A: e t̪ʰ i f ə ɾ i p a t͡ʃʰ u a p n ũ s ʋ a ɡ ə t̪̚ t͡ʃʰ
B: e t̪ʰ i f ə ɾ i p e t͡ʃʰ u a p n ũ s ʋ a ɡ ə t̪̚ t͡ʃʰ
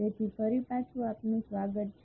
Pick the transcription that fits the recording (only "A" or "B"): A